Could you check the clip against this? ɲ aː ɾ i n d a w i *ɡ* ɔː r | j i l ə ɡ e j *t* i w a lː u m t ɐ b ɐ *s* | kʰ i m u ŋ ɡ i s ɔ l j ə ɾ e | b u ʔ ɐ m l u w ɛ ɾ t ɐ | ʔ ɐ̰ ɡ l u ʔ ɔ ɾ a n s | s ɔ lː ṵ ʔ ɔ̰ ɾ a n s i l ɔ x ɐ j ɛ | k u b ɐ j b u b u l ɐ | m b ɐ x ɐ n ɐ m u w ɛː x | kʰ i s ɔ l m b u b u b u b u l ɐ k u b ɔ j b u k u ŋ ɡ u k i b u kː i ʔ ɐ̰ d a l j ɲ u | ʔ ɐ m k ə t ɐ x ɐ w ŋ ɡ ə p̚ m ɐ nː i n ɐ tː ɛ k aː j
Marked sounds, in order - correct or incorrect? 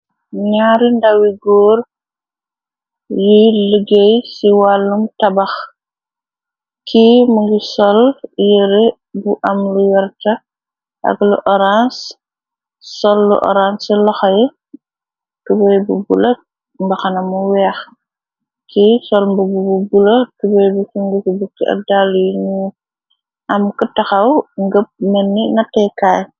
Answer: correct, incorrect, incorrect

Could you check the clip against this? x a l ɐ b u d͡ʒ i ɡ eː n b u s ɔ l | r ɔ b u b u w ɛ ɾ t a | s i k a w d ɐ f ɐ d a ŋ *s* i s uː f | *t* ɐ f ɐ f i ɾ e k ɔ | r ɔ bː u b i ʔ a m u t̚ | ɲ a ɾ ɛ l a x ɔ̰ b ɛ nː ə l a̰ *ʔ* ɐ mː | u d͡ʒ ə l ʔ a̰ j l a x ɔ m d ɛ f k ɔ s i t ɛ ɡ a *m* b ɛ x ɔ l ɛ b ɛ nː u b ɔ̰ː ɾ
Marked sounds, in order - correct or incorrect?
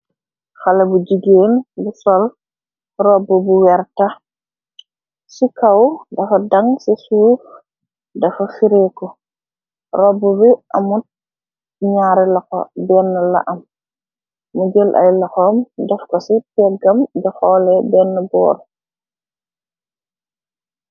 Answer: correct, incorrect, correct, correct

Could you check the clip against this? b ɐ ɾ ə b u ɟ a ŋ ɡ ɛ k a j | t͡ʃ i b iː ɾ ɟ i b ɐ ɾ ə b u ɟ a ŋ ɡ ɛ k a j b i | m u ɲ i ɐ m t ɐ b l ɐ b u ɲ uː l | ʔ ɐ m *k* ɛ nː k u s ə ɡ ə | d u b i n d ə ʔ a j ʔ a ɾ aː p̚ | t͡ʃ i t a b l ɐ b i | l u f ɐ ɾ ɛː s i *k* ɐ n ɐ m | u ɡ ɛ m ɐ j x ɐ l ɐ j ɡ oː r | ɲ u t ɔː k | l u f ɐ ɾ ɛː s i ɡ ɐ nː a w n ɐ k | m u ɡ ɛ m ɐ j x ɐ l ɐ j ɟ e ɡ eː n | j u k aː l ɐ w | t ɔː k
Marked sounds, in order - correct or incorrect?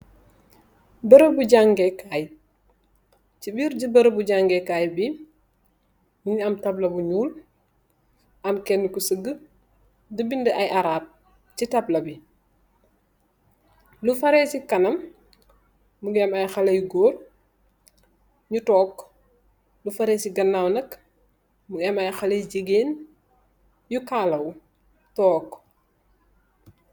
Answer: correct, correct

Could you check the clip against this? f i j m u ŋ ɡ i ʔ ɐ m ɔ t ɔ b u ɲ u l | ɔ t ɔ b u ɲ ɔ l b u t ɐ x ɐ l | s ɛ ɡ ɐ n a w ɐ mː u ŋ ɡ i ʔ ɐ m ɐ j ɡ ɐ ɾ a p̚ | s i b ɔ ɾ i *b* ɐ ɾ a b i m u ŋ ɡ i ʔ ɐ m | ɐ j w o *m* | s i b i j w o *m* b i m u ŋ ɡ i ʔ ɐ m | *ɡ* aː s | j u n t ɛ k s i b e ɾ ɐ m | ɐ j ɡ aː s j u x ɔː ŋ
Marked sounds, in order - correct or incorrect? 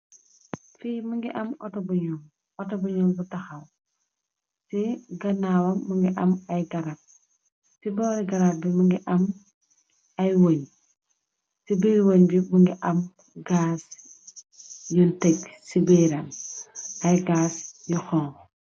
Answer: incorrect, incorrect, incorrect, correct

